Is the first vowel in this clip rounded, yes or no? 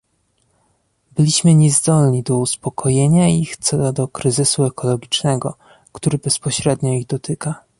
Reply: no